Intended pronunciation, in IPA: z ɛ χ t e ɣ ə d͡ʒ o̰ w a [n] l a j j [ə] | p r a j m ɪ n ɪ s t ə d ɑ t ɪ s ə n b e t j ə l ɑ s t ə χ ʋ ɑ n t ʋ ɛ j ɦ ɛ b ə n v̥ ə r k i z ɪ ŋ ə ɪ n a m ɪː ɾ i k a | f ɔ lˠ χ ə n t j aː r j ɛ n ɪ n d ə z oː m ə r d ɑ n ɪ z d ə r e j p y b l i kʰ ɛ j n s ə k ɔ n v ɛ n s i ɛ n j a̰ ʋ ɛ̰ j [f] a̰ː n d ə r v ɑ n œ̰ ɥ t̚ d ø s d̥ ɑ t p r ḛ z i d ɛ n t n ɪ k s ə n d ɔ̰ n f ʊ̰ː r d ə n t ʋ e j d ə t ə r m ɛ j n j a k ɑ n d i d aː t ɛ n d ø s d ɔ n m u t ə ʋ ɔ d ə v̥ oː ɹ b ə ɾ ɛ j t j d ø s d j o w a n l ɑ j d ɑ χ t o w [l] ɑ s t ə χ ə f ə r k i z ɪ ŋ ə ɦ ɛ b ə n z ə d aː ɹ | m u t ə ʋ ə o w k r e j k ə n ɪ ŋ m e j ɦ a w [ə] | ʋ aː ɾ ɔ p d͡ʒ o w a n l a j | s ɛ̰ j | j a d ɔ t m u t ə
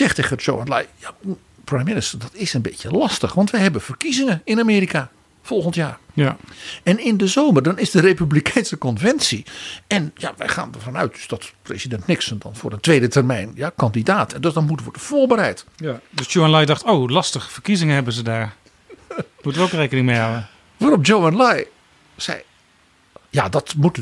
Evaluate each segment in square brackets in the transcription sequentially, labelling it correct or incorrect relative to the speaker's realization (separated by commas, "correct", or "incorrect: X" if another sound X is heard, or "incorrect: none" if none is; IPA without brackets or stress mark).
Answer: correct, incorrect: a, incorrect: χ, correct, correct